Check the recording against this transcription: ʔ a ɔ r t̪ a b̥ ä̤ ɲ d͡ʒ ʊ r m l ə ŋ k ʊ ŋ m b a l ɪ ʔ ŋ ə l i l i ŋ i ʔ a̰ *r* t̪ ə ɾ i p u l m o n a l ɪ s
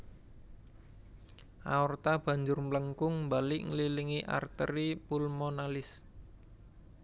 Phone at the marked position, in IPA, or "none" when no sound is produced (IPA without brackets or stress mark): r